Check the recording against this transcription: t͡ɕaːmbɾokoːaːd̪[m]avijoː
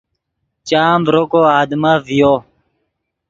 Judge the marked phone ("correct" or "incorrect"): correct